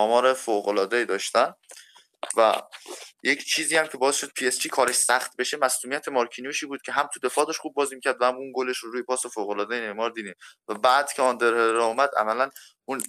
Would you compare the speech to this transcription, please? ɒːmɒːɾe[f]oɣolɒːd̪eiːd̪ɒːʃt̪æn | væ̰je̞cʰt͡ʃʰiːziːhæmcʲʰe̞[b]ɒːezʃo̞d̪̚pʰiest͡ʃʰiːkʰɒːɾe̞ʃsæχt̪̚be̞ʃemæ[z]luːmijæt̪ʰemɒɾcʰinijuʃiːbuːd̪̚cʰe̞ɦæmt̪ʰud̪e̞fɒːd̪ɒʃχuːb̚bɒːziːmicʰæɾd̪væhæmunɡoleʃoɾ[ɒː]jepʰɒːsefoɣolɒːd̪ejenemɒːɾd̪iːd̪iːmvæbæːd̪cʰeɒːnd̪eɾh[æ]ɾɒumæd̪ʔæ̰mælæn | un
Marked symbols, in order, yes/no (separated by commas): yes, yes, no, no, no